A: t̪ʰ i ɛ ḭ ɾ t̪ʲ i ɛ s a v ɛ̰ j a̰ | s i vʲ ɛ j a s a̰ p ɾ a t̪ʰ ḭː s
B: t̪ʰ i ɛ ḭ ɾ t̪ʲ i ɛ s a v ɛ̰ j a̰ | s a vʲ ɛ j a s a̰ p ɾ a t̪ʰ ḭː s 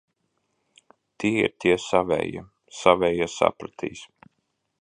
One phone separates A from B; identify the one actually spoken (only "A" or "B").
B